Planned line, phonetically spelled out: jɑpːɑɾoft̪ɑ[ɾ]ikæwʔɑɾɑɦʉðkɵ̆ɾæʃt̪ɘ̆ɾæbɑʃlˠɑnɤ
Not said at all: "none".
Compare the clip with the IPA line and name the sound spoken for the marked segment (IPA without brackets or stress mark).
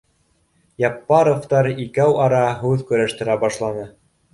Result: ɾ